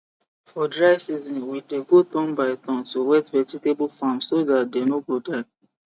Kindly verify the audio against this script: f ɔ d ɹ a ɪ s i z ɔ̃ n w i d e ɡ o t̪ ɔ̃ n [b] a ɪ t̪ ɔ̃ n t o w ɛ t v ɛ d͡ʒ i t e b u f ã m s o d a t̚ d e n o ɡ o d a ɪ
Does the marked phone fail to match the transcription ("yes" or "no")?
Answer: no